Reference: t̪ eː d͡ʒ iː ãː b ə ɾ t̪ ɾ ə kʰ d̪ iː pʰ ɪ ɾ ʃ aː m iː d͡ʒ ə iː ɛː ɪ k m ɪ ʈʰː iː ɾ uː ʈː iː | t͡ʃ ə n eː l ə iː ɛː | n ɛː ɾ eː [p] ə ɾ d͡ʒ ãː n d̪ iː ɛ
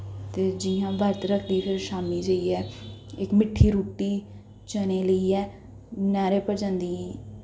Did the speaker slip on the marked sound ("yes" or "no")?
no